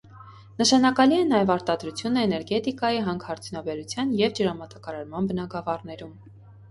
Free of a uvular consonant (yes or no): yes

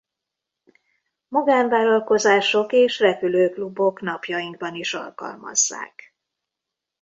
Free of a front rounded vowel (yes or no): no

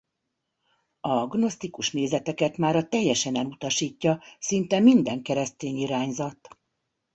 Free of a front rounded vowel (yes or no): yes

